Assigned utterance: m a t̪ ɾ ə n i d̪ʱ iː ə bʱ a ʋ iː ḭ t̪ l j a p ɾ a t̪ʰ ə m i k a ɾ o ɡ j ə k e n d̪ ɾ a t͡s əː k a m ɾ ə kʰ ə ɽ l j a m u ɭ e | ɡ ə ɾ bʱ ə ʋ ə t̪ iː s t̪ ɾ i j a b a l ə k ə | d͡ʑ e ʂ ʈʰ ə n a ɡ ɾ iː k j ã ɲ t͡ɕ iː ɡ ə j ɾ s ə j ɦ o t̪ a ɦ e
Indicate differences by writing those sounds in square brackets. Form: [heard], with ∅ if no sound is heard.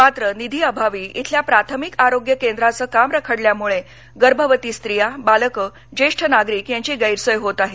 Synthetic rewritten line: m a t̪ ɾ ə n i d̪ʱ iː ə bʱ a ʋ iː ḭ [t̪ʰ] l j a p ɾ a t̪ʰ ə m i k a ɾ o ɡ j ə k e n d̪ ɾ a t͡s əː k a m ɾ ə kʰ ə ɽ l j a m u ɭ e | ɡ ə ɾ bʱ ə ʋ ə t̪ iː s t̪ ɾ i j a b a l ə k ə | d͡ʑ e ʂ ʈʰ ə n a ɡ ɾ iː k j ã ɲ t͡ɕ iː ɡ ə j ɾ s ə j ɦ o t̪ a ɦ e